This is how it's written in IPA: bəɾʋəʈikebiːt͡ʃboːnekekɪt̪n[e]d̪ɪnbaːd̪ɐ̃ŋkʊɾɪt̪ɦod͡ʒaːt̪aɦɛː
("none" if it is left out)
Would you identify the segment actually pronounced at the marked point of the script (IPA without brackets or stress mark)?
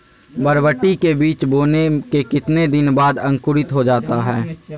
e